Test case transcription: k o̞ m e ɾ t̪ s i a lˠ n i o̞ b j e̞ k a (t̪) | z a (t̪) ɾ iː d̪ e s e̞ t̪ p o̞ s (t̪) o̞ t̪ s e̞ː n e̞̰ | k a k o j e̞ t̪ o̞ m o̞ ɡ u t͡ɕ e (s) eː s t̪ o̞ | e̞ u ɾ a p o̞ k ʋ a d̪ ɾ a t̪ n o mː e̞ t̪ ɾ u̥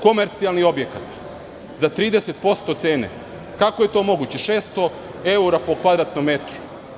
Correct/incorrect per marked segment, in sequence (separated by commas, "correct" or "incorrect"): correct, correct, correct, incorrect